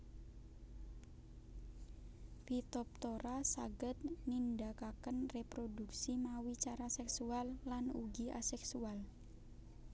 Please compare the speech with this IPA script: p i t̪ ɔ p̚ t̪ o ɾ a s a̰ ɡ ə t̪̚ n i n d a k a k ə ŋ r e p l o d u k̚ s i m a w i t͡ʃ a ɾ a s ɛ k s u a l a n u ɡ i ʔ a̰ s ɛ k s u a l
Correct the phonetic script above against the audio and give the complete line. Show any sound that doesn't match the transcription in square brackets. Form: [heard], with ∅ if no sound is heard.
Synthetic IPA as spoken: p i t̪ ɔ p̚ t̪ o ɾ a s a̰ ɡ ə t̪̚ n i n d a k a k ə [n] r e p [ɾ] o d u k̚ s i m a w i t͡ʃ a ɾ a s ɛ k s u a [lː] a n u ɡ i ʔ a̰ s ɛ k s u a l